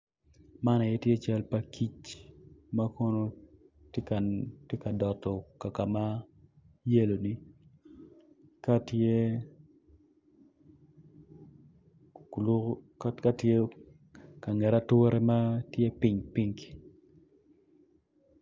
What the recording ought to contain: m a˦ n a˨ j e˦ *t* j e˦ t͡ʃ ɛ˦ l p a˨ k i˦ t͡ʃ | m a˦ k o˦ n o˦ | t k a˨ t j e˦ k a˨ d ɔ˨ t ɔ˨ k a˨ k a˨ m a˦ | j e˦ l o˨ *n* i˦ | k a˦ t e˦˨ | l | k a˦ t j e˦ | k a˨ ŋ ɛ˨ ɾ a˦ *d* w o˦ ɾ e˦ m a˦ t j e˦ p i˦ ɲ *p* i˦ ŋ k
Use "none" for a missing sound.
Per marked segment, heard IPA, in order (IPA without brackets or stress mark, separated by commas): t, n, t, p